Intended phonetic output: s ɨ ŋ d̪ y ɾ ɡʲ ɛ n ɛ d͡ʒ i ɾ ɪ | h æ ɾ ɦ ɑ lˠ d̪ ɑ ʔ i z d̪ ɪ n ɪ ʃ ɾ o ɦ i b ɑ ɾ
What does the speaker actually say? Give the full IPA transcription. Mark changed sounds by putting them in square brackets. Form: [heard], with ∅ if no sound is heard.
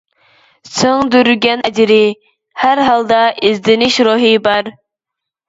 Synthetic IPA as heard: s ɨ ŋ d̪ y ɾ ɡʲ ɛ n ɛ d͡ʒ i ɾ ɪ | h æ ɾ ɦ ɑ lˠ d̪ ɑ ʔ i z d̪ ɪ n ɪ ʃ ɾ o ɦ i b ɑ ɾ